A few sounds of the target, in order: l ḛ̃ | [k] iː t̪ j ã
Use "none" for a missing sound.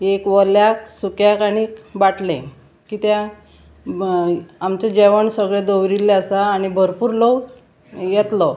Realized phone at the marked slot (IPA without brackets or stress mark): k